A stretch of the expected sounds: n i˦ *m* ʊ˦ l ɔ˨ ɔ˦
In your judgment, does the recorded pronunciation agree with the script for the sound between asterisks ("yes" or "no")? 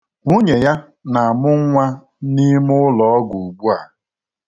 yes